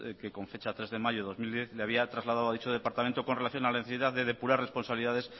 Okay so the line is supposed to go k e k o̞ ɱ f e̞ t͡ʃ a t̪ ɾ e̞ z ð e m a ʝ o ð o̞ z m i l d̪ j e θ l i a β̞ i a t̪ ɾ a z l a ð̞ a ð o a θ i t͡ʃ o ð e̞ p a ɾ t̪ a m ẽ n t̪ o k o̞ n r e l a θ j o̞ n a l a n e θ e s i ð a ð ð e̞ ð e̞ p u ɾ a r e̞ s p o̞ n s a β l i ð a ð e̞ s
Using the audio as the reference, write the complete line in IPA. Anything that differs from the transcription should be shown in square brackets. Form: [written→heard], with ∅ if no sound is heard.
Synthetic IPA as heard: k e k o̞ ɱ f e̞ t͡ʃ a t̪ ɾ e̞ z ð e m a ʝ o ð o̞ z m i l d̪ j e θ l [i→e] a β̞ i a t̪ ɾ a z l a ð̞ a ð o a [θ→ð] i t͡ʃ o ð e̞ p a ɾ t̪ a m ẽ n t̪ o k o̞ n r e l a θ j o̞ n a l a n e θ e s i ð a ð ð e̞ ð e̞ p u ɾ a r e̞ s p o̞ n s a β l i ð a ð e̞ s